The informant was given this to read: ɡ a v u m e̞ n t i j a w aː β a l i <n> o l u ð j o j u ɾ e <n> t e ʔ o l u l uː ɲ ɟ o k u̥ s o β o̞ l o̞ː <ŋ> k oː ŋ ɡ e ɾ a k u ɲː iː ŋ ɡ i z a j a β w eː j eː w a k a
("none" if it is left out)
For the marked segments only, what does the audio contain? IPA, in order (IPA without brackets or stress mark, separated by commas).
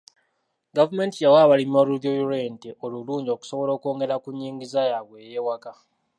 m, n, none